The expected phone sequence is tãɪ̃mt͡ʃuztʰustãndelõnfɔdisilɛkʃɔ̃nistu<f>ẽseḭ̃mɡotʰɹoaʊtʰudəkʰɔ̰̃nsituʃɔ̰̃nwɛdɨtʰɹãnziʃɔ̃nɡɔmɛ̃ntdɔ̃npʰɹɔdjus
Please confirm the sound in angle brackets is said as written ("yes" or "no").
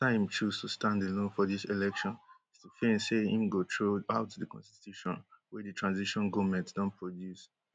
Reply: yes